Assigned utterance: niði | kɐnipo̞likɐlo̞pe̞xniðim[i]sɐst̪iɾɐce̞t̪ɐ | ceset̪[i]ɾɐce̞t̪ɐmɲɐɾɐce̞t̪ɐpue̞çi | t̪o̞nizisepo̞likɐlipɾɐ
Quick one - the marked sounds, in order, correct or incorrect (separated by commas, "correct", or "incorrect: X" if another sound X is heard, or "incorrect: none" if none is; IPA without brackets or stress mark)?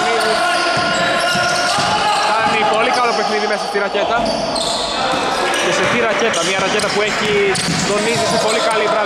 incorrect: e, correct